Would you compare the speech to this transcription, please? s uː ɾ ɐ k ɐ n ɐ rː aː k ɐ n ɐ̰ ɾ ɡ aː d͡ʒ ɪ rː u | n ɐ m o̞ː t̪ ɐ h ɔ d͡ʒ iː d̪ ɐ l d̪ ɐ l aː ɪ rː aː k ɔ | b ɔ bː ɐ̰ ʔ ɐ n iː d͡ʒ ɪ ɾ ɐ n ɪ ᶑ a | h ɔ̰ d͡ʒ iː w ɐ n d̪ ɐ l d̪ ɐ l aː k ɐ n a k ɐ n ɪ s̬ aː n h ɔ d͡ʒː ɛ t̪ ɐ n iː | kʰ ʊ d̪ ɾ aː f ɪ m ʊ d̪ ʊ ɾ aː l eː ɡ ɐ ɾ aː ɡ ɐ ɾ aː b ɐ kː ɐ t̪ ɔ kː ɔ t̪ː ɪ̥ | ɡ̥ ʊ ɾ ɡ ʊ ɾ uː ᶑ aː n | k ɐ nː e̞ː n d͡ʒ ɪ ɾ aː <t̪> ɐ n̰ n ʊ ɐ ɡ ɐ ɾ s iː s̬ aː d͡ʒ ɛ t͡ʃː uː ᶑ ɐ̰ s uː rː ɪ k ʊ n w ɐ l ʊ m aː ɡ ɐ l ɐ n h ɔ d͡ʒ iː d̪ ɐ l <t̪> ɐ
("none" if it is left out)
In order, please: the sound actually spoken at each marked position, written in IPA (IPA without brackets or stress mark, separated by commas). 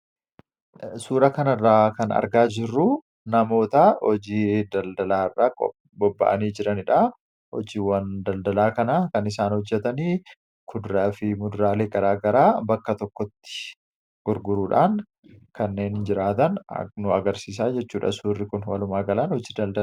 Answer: t̪, d̪